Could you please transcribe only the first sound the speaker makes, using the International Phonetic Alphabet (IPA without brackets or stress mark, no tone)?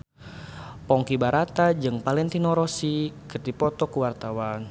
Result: p